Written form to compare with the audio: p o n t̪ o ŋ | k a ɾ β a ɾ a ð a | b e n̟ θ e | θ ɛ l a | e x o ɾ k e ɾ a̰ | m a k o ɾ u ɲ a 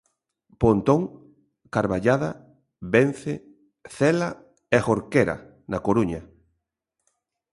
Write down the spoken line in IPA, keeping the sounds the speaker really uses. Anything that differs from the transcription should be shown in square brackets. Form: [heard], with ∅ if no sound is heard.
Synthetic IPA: p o n t̪ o ŋ | k a ɾ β a [ʎ] a ð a | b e n̟ θ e | θ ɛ l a | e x o ɾ k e ɾ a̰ | [n] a k o ɾ u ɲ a